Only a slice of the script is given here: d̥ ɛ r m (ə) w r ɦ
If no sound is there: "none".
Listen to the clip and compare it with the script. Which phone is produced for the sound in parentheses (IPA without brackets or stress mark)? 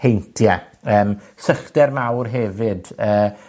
a